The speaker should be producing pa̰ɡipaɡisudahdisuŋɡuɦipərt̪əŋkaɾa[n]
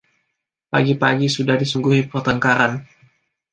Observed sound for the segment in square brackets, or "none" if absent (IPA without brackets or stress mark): n